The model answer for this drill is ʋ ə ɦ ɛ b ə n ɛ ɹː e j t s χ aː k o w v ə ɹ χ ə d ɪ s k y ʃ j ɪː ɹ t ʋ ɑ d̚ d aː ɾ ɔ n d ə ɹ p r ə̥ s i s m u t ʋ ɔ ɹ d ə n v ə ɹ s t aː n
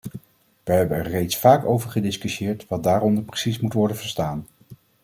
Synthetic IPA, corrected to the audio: ʋ ə ɦ ɛ b ə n ɛ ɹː e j t s f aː k o w v ə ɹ χ ə d ɪ s k y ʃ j ɪː ɹ t ʋ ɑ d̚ d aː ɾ ɔ n d ə ɹ p r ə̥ s i s m u t ʋ ɔ ɹ d ə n v ə ɹ s t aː n